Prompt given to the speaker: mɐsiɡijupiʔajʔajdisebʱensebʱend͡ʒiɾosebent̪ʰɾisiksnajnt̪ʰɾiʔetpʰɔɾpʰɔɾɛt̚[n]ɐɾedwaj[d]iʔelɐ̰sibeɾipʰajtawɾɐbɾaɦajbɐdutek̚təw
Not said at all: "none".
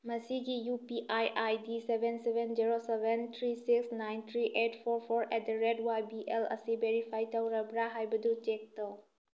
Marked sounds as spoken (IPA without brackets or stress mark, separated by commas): d, b